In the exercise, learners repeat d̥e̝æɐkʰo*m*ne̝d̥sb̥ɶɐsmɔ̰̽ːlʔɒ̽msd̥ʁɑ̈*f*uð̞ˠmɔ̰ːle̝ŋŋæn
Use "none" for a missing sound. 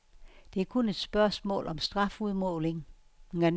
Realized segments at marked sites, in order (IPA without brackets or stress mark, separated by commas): none, f